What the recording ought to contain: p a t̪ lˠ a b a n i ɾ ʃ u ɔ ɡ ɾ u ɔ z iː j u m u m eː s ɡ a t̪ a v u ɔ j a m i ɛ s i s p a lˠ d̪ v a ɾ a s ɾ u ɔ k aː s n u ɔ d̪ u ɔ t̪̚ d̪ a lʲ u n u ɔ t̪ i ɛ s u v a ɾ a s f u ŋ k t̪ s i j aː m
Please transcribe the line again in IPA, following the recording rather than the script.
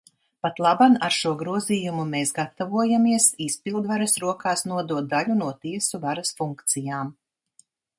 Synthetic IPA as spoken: p a t̪ lˠ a b a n a ɾ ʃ u ɔ ɡ ɾ u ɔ z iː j u m u m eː s ɡ a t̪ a v u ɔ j a m i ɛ s i s p i lˠ d̪ v a ɾ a s ɾ u ɔ k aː s n u ɔ d̪ u ɔ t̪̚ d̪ a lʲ u n u ɔ t̪ i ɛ s u v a ɾ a s f u ŋ k t̪ s i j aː m